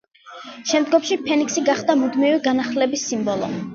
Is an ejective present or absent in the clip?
absent